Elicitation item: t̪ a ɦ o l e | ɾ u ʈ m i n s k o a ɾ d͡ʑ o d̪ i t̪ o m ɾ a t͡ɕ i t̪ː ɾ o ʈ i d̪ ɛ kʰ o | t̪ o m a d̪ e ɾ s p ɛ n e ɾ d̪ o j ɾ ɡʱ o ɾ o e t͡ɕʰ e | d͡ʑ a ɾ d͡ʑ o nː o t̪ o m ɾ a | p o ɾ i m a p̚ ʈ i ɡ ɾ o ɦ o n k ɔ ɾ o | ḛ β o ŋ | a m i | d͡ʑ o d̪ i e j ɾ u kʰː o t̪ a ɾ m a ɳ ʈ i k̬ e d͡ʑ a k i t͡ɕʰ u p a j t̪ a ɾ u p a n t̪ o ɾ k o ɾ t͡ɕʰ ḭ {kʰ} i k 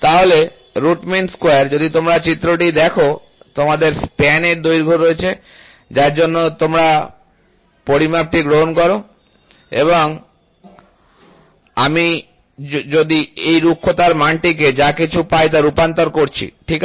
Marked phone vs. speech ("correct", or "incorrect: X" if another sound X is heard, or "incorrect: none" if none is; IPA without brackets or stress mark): incorrect: ʈʰ